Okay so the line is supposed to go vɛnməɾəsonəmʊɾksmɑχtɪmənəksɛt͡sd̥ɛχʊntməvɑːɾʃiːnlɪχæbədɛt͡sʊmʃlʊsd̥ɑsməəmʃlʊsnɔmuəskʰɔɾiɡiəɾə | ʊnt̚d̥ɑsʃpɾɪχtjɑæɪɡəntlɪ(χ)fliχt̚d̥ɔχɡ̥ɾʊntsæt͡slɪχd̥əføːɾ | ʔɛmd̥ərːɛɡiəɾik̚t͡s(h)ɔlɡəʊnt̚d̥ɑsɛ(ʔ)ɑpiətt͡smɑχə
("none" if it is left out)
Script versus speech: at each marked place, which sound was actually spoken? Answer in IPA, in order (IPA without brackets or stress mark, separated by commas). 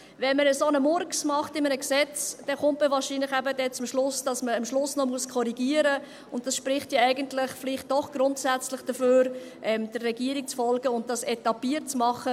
χ, f, t